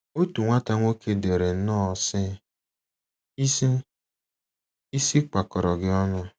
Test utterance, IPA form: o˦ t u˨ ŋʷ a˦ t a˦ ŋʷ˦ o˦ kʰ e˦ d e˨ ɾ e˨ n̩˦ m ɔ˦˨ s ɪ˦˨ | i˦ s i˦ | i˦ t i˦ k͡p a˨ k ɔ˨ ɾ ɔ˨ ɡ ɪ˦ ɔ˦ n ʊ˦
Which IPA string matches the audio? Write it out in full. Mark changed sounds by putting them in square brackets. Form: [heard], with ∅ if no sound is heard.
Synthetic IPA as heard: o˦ t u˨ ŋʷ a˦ t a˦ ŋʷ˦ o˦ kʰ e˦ d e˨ ɾ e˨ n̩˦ [n] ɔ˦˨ s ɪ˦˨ | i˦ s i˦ | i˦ [s] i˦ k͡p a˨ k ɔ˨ ɾ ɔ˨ ɡ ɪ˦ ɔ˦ n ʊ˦